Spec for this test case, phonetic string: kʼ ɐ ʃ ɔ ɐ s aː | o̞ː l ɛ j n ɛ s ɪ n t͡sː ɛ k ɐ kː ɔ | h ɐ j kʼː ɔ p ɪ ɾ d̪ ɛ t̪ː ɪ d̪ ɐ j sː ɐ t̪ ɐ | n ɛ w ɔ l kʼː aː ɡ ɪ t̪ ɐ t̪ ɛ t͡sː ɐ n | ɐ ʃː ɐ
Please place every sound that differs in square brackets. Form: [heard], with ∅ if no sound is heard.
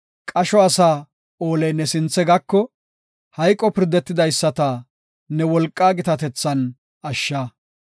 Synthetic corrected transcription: kʼ ɐ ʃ ɔ ɐ s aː | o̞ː l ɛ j n ɛ s ɪ n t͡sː ɛ [ɡ] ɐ kː ɔ | h ɐ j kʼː ɔ p ɪ ɾ d̪ ɛ t̪ː ɪ d̪ ɐ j sː ɐ t̪ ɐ | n ɛ w ɔ l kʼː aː ɡ ɪ t̪ ɐ t̪ ɛ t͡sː ɐ n | ɐ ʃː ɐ